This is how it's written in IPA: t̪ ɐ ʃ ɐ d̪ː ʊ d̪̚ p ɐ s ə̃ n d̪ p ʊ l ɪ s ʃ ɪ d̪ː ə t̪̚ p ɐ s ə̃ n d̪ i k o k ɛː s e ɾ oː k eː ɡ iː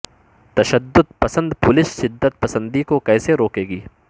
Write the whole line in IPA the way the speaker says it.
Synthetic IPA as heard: t̪ ɐ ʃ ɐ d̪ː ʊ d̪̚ p ɐ s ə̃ n d̪ p ʊ l ɪ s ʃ ɪ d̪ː ə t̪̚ p ɐ s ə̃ n d̪ i k o k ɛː s e ɾ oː k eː ɡ iː

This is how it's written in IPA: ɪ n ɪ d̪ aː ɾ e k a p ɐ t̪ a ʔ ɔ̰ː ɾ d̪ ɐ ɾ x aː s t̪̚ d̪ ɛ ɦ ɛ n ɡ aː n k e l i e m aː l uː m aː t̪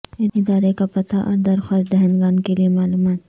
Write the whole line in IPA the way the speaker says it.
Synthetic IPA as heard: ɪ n ɪ d̪ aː ɾ e k a p ɐ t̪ a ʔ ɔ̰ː ɾ d̪ ɐ ɾ x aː s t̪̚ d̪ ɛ ɦ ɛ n ɡ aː n k e l i e m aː l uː m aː t̪

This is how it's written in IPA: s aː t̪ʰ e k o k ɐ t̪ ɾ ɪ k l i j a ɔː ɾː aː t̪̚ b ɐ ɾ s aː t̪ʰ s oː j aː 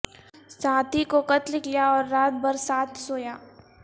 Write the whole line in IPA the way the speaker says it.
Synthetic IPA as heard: s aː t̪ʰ i k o k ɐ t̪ l ɪ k l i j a ɔː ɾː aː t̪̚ b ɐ ɾ s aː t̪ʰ s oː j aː

